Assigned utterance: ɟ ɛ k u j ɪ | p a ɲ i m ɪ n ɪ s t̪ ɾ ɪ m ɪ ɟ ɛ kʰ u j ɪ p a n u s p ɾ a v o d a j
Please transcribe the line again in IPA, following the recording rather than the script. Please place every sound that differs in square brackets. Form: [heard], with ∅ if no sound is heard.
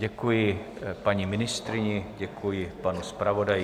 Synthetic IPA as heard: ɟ ɛ k u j ɪ | p a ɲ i m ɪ n ɪ s t̪ ɾ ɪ [ɲ] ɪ ɟ ɛ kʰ u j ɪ p a n u s p ɾ a v o d a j